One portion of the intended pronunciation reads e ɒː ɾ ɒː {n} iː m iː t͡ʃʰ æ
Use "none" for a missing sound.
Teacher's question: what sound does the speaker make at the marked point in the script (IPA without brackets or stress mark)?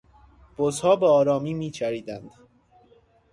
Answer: m